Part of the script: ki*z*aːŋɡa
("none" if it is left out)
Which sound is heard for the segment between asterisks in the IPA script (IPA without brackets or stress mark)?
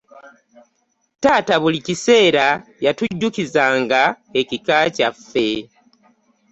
z